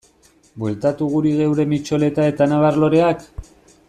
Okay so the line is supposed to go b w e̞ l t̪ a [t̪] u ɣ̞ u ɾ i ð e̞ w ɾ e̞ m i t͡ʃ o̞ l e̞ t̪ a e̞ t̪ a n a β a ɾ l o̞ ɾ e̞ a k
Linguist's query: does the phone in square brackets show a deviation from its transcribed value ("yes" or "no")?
no